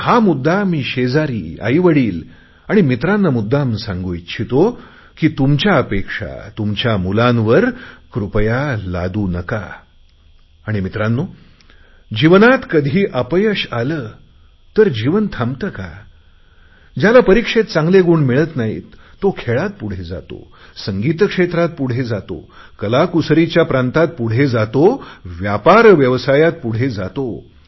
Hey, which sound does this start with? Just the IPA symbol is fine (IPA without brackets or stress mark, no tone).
h